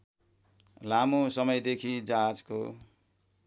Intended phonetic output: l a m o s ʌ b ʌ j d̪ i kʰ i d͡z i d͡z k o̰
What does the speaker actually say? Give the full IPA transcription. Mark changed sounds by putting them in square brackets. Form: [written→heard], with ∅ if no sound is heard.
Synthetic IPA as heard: l a m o s ʌ [b→m] ʌ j d̪ [i→e] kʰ i d͡z [i→a] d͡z k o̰